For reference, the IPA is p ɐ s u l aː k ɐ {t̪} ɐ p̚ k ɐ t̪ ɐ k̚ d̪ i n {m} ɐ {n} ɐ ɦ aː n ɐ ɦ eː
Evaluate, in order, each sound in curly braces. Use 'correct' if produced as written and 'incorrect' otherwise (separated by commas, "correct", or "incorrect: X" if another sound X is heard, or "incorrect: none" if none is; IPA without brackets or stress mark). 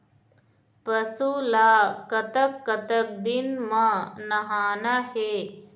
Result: correct, correct, correct